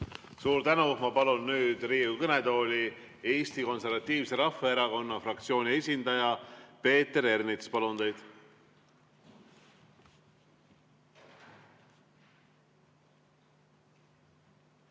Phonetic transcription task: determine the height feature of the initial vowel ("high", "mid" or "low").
high